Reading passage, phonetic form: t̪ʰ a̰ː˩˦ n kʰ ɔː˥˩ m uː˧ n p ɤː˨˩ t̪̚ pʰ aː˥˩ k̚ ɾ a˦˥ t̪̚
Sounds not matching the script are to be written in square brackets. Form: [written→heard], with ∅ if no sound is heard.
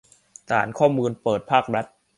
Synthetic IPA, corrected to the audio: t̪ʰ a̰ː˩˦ n kʰ ɔː˥˩ m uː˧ n p ɤː˨˩ t̪̚ pʰ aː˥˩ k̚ ɾ a˦˥ t̪̚

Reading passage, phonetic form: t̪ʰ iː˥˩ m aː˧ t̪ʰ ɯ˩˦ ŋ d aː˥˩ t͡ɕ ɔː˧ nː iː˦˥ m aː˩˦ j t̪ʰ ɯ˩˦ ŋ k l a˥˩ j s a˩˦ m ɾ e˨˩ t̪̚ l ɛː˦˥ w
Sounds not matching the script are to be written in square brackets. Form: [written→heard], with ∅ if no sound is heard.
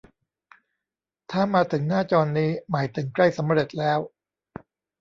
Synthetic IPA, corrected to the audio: t̪ʰ [iː˥˩→aː˥˩] m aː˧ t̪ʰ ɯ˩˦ ŋ [d→n] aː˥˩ t͡ɕ ɔː˧ nː iː˦˥ m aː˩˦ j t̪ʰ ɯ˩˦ ŋ k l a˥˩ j s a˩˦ m ɾ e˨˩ t̪̚ l ɛː˦˥ w

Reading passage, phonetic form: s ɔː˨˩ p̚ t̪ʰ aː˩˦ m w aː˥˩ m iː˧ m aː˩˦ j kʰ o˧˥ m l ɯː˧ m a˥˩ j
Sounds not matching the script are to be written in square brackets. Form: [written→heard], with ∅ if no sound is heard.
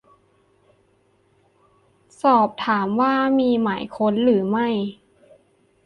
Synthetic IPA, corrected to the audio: s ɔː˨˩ p̚ t̪ʰ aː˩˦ m w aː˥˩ m iː˧ m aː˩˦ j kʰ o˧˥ [m→n] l [ɯː˧→ɯː˩˦] m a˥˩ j

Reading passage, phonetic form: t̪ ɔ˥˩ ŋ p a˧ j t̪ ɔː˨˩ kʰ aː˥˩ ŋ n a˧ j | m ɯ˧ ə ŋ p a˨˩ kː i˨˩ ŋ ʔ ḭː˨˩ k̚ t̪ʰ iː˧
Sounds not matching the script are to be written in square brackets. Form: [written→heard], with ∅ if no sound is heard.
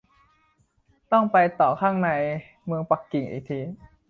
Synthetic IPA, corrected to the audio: t̪ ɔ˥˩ ŋ p a˧ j t̪ ɔː˨˩ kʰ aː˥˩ ŋ n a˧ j | m ɯ˧ ə ŋ p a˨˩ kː i˨˩ ŋ ʔ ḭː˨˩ k̚ t̪ʰ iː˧

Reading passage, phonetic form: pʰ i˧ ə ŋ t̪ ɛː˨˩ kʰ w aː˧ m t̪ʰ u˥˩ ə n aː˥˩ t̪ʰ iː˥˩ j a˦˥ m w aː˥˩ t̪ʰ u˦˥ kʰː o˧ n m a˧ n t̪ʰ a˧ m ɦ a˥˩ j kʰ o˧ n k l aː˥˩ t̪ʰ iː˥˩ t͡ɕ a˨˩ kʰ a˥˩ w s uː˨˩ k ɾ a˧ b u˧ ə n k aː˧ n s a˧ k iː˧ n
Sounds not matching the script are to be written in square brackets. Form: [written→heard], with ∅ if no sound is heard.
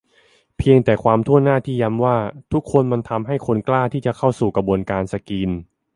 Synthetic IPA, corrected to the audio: pʰ i˧ ə ŋ t̪ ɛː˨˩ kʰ w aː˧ m t̪ʰ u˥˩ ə n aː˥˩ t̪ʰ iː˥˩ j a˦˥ m w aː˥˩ t̪ʰ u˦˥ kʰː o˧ n m a˧ n t̪ʰ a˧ m ɦ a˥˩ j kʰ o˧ n k l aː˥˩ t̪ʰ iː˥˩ t͡ɕ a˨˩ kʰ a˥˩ w s uː˨˩ k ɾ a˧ b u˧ ə n k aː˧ n s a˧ k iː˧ n

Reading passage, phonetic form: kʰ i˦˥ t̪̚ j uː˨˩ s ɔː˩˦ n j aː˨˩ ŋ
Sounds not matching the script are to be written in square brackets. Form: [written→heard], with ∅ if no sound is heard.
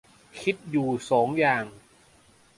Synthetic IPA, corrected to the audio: kʰ i˦˥ t̪̚ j uː˨˩ s ɔː˩˦ [n→ŋ] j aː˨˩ ŋ

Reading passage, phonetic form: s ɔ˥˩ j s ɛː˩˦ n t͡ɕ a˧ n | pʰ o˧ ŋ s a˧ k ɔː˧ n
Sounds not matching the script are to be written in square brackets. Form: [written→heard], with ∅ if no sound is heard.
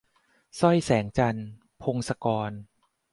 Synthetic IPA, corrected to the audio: s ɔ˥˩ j s ɛː˩˦ [n→ŋ] t͡ɕ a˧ n | pʰ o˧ ŋ s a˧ k ɔː˧ n

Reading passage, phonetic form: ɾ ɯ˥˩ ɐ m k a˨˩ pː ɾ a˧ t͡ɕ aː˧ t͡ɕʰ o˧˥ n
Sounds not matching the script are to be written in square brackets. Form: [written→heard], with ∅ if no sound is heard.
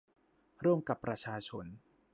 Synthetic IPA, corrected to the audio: ɾ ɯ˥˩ [ɐ→ə] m k a˨˩ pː ɾ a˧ [t͡ɕ→t͡ɕʰ] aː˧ t͡ɕʰ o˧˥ n

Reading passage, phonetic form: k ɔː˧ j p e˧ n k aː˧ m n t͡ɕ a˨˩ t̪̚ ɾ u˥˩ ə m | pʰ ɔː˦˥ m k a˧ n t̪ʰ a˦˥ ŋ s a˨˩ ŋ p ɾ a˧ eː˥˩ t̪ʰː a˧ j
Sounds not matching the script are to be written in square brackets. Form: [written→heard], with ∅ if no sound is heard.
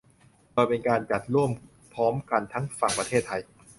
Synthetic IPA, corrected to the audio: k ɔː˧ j p e˧ n k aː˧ [m→∅] n t͡ɕ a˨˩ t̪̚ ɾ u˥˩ ə m | pʰ ɔː˦˥ m k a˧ n t̪ʰ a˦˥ ŋ [s→f] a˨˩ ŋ p ɾ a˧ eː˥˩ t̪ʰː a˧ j

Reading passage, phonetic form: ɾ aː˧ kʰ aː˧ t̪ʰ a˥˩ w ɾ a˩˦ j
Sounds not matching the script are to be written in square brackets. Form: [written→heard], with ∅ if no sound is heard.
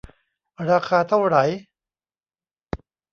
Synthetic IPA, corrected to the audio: ɾ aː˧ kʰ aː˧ t̪ʰ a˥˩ w ɾ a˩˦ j

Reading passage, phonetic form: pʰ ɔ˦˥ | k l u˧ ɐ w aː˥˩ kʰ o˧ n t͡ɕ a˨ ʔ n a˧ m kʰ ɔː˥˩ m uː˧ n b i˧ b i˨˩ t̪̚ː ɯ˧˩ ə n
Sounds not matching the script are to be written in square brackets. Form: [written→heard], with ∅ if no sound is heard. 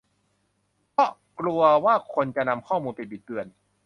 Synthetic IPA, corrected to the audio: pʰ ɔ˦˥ | k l u˧ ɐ w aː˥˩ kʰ o˧ n t͡ɕ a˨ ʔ n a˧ m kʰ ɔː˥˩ m uː˧ n [b→p] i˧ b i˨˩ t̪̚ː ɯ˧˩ ə n

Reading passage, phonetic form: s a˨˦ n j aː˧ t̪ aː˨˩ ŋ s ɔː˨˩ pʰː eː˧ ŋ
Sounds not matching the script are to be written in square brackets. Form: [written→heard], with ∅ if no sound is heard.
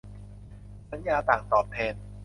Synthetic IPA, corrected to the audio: s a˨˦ n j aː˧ t̪ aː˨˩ ŋ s ɔː˨˩ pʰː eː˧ [ŋ→n]

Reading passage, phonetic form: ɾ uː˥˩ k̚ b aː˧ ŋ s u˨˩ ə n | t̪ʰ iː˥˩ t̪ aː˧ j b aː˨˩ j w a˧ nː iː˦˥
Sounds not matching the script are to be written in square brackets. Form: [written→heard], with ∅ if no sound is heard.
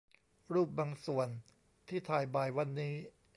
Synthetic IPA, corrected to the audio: ɾ uː˥˩ [k̚→p̚] b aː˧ ŋ s u˨˩ ə n | t̪ʰ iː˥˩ [t̪→t̪ʰ] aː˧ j b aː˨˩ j w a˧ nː iː˦˥

